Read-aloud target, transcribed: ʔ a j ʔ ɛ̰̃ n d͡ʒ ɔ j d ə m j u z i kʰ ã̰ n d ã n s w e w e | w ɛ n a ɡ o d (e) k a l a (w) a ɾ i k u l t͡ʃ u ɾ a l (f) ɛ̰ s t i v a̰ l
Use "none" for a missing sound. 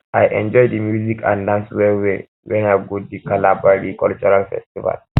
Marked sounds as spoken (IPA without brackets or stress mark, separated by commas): i, b, f